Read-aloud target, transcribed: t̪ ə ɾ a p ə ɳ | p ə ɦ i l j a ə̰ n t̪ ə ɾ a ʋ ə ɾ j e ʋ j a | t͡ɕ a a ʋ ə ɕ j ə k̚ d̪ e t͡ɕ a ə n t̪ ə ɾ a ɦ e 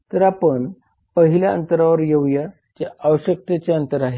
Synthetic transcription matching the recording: t̪ ə ɾ a p ə ɳ | p ə ɦ i l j a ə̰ n t̪ ə ɾ a ʋ ə ɾ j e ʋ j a | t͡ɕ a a ʋ ə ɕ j ə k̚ t̪ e t͡ɕ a ə n t̪ ə ɾ a ɦ e